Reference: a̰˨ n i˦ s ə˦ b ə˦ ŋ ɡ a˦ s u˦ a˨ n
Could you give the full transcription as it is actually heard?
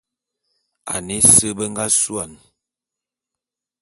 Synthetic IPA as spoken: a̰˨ n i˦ s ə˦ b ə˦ ŋ ɡ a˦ s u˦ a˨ n